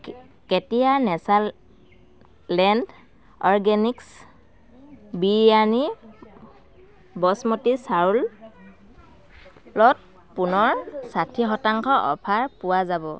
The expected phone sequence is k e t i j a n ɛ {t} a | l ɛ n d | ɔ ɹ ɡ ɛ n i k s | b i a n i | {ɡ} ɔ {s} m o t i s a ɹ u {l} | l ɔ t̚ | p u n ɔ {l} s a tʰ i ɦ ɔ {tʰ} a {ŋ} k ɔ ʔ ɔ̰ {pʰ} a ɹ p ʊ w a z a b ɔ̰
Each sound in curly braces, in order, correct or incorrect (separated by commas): incorrect, incorrect, correct, correct, incorrect, incorrect, correct, correct